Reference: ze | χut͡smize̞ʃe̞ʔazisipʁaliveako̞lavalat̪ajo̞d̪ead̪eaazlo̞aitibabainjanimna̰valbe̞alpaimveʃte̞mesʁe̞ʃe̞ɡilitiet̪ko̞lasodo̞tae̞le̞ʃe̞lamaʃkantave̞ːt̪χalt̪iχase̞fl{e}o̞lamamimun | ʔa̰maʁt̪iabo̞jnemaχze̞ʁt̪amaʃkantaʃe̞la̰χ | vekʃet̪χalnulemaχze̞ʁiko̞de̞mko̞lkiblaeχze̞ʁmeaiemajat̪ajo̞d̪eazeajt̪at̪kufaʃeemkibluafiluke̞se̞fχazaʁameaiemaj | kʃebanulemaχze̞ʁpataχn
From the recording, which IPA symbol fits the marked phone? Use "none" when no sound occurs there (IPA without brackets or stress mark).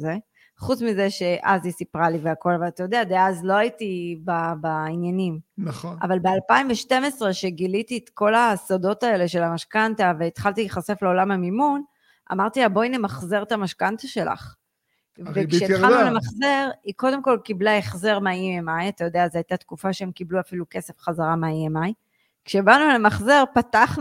e